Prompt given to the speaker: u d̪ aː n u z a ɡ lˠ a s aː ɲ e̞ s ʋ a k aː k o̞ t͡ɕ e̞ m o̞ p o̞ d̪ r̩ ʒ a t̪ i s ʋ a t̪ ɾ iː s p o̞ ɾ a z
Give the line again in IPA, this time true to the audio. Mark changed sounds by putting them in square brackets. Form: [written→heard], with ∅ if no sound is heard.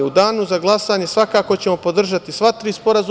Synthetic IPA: u d̪ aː n u z a ɡ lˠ a s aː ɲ e̞ s ʋ a k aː k o̞ t͡ɕ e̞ m o̞ p o̞ d̪ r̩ ʒ a t̪ i s ʋ a t̪ ɾ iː s p o̞ ɾ a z